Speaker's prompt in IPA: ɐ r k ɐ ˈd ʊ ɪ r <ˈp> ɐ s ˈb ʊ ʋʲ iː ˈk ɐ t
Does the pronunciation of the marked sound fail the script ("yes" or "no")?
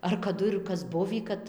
yes